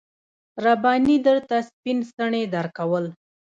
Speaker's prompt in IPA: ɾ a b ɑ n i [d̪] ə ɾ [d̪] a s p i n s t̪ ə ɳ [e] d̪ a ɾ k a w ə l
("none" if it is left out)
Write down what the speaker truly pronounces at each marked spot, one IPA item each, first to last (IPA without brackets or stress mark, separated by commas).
d̪, t̪, e